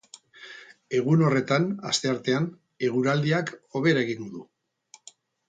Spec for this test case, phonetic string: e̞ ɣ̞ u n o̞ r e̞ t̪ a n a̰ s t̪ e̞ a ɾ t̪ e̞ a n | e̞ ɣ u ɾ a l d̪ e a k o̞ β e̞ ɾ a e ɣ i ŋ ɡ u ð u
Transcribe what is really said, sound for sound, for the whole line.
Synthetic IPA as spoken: e̞ ɣ̞ u n o̞ r e̞ t̪ a n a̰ s t̪ e̞ a ɾ t̪ e̞ a n | e̞ ɣ u ɾ a l d̪ i a k o̞ β e̞ ɾ a e ɣ i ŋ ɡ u ð u